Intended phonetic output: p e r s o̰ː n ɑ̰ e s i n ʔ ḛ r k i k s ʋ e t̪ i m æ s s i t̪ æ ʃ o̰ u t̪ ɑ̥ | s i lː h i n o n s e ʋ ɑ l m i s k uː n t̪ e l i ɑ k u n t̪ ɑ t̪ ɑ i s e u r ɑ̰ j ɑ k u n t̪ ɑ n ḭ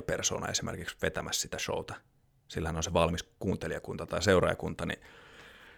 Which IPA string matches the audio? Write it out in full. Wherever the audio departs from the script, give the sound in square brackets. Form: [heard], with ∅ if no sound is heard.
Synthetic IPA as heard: p e r s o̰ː n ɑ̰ e s i [m] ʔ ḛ r k i k s ʋ e t̪ [æ] m æ s s i t̪ æ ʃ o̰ u t̪ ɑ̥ | s i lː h [æ] n o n s e ʋ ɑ l m i s k uː n t̪ e l i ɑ k u n t̪ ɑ t̪ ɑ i s e u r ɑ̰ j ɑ k u n t̪ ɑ n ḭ